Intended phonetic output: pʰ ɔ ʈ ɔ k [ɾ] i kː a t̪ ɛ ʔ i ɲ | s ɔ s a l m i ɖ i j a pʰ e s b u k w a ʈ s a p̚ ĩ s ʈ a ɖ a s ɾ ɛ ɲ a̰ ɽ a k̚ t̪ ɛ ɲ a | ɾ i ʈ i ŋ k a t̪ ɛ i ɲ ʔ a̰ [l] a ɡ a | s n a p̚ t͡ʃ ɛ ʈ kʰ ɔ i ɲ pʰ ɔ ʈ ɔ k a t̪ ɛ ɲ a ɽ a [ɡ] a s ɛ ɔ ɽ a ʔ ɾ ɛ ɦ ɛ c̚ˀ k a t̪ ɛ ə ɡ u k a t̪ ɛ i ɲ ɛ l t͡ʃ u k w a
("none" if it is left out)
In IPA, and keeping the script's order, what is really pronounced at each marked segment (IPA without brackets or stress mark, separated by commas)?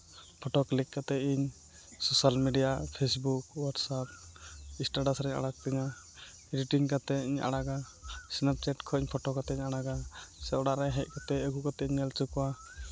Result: l, ɽ, ɡ